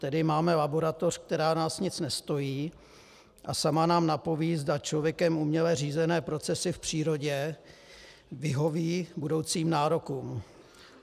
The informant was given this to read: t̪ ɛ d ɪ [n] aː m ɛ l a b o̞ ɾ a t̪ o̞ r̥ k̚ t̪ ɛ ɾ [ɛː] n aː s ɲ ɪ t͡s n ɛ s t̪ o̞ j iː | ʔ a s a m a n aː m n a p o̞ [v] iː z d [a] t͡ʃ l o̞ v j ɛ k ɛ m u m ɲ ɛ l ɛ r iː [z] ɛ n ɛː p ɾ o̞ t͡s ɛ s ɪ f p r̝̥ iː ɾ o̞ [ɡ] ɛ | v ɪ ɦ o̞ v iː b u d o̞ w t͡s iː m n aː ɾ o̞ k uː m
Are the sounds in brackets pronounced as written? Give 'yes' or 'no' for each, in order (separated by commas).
no, no, yes, yes, yes, no